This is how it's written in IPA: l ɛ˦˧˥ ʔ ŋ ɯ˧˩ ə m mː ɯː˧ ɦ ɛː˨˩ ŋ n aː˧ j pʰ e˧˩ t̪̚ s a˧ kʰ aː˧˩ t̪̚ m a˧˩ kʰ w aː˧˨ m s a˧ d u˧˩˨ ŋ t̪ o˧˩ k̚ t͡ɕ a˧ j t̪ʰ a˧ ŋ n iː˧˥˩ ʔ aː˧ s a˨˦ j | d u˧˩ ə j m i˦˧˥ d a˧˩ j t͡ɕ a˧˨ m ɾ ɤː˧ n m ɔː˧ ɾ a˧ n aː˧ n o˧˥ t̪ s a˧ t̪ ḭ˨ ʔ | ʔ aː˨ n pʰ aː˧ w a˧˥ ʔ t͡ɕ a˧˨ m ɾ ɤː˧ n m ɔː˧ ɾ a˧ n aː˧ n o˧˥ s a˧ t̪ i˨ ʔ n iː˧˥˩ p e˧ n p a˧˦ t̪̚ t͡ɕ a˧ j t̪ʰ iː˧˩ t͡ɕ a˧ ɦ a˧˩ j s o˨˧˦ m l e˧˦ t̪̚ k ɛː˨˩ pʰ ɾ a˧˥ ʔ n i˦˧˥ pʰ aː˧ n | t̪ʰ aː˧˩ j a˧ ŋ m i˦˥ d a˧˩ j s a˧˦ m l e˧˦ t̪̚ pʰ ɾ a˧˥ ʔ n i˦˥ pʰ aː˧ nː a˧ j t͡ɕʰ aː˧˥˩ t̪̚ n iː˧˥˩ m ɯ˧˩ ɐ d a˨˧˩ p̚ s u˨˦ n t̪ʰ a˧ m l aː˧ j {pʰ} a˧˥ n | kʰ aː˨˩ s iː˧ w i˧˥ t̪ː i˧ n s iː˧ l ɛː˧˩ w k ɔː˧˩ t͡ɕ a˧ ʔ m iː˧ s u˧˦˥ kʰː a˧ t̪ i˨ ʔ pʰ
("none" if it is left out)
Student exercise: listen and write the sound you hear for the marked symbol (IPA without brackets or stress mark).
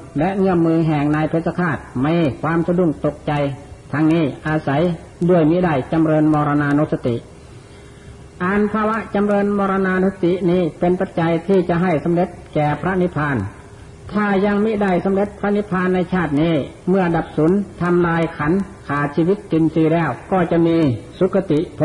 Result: kʰ